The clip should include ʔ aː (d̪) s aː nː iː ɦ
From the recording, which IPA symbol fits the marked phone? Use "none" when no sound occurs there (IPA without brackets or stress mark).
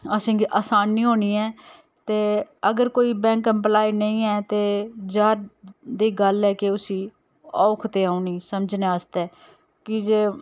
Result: none